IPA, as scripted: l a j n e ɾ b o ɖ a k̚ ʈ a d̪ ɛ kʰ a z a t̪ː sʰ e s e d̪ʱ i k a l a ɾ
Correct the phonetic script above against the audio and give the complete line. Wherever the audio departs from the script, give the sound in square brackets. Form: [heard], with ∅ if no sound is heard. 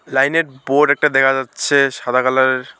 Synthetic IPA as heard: l a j n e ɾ b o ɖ [ɛ] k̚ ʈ a d̪ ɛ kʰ a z a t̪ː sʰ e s [a] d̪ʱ [a] k a l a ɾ

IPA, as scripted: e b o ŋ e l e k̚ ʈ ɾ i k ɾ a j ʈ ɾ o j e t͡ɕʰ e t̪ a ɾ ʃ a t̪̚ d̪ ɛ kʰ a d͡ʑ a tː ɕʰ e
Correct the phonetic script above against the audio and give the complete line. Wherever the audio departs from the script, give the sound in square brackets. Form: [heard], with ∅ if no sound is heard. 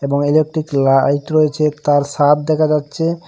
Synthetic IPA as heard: e b o ŋ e l e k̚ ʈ ɾ i k [l] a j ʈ ɾ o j e t͡ɕʰ e t̪ a ɾ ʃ a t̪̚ d̪ ɛ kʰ a d͡ʑ a tː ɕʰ e

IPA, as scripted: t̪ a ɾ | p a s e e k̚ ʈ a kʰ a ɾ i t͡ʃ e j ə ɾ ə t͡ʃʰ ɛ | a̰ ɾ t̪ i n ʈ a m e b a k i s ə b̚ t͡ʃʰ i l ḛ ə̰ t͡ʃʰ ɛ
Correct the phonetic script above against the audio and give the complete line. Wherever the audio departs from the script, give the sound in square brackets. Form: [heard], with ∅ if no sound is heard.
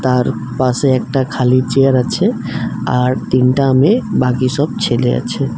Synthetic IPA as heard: t̪ a ɾ | p a s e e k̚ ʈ a kʰ a [l] i t͡ʃ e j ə ɾ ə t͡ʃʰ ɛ | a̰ ɾ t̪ i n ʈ a m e b a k i s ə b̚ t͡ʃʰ [e] l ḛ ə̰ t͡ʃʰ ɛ

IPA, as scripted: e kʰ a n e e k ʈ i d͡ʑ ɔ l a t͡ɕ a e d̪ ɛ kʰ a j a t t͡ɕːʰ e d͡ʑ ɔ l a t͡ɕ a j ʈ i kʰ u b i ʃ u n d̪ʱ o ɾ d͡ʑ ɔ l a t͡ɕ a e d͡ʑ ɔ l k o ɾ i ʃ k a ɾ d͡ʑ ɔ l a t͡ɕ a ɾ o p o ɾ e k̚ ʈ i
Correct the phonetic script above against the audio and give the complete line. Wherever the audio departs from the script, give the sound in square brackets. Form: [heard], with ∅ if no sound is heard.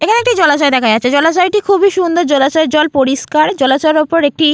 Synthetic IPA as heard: e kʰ a n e e k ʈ i d͡ʑ ɔ l a t͡ɕ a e d̪ ɛ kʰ a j a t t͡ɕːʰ e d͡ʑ ɔ l a t͡ɕ a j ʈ i kʰ u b i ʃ u n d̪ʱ o ɾ d͡ʑ ɔ l a t͡ɕ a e d͡ʑ ɔ l [p] o ɾ i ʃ k a ɾ d͡ʑ ɔ l a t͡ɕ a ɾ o p o ɾ e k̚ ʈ i

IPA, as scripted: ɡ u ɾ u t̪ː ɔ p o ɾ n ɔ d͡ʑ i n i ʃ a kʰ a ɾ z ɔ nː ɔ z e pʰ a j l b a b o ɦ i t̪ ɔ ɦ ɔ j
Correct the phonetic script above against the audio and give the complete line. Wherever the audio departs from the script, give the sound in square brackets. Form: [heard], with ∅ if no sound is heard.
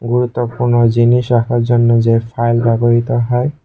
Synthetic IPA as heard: ɡ u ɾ u t̪ː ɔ p [u] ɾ n ɔ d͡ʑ i n i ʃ a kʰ a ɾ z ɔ nː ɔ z e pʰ a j l b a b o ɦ i t̪ ɔ ɦ ɔ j

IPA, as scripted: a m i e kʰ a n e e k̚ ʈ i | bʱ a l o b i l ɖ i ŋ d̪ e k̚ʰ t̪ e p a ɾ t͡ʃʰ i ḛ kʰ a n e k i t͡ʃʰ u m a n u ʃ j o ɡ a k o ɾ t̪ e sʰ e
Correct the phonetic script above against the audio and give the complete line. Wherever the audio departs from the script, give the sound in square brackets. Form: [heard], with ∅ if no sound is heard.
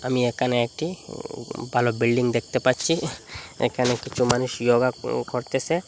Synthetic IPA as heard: a m i e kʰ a n e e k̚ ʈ i | bʱ a l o b i l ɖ i ŋ d̪ e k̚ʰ t̪ e p a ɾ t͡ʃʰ i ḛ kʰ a n e k i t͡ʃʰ u m a n u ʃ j o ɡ a k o ɾ t̪ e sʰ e

